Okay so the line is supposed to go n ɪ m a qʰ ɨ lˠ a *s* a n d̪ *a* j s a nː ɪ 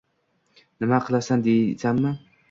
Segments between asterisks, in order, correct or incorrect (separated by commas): correct, incorrect